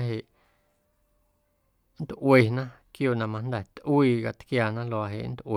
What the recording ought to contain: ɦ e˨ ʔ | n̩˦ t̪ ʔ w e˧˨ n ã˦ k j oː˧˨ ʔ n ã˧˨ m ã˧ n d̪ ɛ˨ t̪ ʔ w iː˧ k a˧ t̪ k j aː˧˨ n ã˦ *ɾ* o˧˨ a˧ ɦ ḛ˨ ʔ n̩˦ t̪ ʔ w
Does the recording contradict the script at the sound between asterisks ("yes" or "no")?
yes